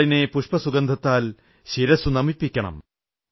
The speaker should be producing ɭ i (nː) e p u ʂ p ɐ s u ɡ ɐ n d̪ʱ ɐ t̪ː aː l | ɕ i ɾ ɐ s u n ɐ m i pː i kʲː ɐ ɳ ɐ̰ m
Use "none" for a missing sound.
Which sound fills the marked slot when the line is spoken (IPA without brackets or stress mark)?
n